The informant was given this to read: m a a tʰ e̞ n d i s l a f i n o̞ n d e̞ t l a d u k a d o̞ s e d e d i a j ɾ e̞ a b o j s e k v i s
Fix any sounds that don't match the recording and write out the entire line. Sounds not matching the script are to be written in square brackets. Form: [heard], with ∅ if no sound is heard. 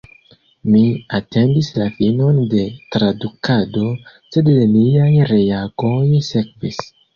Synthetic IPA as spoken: m [i] a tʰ e̞ n d i s l a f i n o̞ n d e̞ t [ɾ] a d u k a d o̞ s e d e [n] i a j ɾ e̞ a [ɡ] o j s e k v i s